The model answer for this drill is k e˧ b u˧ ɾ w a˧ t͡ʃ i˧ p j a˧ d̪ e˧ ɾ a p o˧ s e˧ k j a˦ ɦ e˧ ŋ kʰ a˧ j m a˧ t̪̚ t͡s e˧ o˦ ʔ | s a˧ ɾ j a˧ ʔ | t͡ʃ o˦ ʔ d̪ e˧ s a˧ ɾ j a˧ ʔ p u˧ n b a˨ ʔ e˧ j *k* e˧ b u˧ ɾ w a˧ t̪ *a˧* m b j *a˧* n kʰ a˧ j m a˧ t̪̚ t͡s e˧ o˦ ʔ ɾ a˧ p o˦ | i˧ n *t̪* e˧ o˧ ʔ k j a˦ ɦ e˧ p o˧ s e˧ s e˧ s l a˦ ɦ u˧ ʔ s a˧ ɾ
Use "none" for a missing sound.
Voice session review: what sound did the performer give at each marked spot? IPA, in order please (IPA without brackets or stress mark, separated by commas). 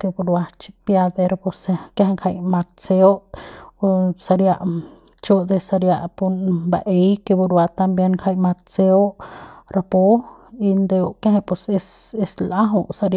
k, a˧, e˧, d̪